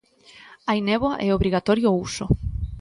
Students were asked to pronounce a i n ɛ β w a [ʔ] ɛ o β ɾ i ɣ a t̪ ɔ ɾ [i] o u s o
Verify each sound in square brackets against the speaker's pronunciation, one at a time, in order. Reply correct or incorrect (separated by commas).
correct, incorrect